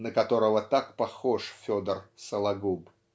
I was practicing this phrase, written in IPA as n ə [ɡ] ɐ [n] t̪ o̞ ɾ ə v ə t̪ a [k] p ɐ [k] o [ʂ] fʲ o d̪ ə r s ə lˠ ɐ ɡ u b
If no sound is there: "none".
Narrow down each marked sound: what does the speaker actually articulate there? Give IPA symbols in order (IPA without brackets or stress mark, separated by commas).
k, none, k, x, ʂ